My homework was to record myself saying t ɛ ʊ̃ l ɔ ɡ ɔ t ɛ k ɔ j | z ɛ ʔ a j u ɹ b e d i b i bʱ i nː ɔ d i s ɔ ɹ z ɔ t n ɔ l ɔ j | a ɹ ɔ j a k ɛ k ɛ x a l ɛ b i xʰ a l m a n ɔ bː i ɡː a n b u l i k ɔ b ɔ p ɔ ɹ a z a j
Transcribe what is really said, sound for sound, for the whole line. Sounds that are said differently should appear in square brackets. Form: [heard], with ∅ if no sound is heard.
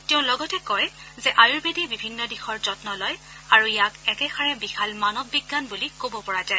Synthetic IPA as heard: t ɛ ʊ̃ l ɔ ɡ ɔ t ɛ k ɔ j | z ɛ ʔ a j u ɹ b e d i b i bʱ i nː ɔ d i [x] ɔ ɹ z ɔ t n ɔ l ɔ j | a ɹ [u] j a k ɛ k ɛ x a [ɹ] ɛ b i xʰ a l m a n ɔ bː i ɡː a n b u l i k [o] b ɔ p ɔ ɹ a z a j